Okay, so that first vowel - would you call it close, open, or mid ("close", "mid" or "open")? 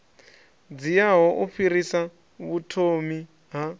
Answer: close